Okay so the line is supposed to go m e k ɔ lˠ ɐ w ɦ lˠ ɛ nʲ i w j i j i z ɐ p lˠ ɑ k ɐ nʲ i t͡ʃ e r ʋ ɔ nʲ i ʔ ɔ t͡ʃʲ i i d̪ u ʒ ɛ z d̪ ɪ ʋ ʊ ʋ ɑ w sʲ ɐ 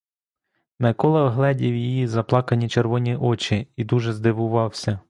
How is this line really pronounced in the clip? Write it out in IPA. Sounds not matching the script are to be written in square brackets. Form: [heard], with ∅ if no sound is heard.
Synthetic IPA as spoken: m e k ɔ lˠ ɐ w ɦ lˠ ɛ [dʲ] i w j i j i z ɐ p lˠ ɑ k ɐ nʲ i t͡ʃ e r ʋ ɔ nʲ i ʔ ɔ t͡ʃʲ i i d̪ u ʒ ɛ z d̪ ɪ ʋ ʊ ʋ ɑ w sʲ ɐ